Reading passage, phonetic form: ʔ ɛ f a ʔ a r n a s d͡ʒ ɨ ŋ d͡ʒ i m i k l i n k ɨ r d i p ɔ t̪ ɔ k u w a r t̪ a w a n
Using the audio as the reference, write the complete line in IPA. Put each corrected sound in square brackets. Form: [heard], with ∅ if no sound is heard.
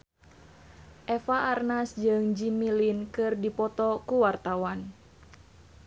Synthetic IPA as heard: ʔ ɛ f a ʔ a r n a s d͡ʒ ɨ ŋ d͡ʒ i m i [∅] l i n k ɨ r d i p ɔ t̪ ɔ k u w a r t̪ a w a n